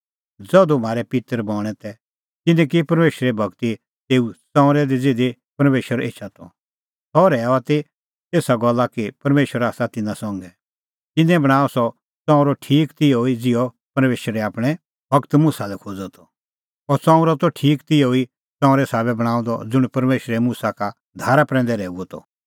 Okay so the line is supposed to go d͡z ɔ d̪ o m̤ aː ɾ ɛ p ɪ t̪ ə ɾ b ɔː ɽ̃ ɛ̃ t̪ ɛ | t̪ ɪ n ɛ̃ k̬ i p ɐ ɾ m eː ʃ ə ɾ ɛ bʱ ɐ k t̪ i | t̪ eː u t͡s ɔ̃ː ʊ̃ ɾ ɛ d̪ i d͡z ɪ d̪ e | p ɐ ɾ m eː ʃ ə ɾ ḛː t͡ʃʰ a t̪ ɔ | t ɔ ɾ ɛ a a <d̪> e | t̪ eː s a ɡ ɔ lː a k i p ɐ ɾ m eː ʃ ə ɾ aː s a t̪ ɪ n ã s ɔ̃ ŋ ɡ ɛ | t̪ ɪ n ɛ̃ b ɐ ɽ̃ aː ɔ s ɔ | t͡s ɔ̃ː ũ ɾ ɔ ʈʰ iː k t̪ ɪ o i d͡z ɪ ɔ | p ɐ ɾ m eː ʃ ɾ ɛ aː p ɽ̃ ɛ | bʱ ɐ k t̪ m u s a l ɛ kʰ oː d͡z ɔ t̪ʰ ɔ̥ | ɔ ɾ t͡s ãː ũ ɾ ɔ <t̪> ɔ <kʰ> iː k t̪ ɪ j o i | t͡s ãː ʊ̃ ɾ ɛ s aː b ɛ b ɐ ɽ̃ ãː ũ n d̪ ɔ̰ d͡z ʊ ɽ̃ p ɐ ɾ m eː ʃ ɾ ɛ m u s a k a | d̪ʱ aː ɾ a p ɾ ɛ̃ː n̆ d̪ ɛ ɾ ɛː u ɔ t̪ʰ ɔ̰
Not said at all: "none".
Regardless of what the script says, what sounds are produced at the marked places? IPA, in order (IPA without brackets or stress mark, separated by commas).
t̪, t̪, ʈʰ